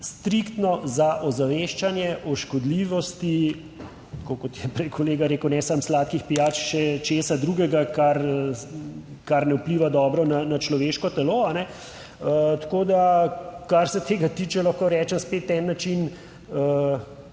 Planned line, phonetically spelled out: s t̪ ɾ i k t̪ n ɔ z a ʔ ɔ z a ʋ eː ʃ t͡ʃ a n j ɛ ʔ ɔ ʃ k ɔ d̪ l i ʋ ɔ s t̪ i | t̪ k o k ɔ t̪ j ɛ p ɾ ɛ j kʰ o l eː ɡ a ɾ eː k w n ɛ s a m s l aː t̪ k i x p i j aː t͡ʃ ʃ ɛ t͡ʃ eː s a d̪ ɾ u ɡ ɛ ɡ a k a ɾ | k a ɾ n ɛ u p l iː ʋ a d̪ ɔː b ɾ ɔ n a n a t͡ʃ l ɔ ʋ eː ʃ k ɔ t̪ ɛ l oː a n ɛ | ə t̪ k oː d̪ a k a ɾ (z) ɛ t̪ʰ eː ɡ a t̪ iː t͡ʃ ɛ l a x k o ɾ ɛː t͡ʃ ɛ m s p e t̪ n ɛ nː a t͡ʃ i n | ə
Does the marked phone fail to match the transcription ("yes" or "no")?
yes